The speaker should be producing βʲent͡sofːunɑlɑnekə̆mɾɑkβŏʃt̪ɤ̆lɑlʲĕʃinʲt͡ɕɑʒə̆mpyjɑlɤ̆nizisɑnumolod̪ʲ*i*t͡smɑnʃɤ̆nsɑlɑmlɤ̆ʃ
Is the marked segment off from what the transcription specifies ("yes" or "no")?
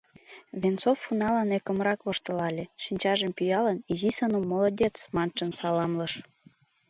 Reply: yes